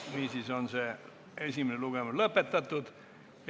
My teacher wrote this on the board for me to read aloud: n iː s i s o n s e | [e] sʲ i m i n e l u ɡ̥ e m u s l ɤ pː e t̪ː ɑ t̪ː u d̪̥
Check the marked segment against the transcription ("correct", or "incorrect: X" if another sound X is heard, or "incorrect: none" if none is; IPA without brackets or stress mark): correct